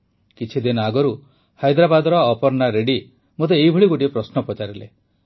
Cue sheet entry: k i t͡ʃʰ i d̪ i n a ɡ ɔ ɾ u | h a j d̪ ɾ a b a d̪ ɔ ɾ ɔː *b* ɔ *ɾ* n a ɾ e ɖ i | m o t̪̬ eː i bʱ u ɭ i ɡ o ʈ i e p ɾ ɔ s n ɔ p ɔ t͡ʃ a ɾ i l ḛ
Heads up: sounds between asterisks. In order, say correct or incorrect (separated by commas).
incorrect, correct